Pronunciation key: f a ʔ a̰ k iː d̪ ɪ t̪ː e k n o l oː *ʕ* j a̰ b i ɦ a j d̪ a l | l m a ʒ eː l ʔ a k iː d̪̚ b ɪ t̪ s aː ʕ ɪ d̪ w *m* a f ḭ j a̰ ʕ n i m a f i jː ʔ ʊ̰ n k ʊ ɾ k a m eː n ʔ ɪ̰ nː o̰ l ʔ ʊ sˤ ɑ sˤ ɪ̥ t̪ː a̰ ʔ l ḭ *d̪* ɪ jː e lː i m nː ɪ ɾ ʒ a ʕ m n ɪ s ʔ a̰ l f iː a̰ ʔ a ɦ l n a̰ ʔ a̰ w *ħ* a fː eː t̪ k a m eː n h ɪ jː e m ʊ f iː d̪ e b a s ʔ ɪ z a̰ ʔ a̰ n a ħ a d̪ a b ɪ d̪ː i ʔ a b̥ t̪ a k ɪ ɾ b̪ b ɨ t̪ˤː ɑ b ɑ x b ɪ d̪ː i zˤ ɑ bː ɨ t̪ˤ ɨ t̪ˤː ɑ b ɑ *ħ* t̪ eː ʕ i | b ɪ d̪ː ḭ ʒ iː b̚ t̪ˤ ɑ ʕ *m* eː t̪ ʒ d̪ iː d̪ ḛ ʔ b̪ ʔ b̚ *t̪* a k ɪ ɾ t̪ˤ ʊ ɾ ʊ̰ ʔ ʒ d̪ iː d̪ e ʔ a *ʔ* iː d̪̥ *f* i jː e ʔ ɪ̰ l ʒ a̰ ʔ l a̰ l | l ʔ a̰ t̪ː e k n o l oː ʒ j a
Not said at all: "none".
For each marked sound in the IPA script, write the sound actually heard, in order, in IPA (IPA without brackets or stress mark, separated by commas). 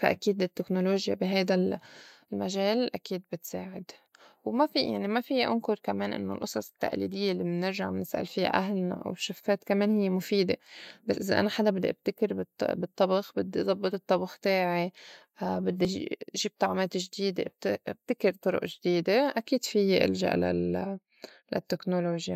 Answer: ʒ, m, d̪, ʃ, x, m, t̪, k, f